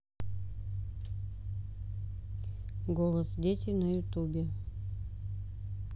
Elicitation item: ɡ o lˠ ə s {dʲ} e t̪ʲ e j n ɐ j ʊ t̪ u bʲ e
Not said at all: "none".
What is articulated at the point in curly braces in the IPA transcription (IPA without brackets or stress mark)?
dʲ